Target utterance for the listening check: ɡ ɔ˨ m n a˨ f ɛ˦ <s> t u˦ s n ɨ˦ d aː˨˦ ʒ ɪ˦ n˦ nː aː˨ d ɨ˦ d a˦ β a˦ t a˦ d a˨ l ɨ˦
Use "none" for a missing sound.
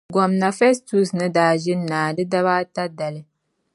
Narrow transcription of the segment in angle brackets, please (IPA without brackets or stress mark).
s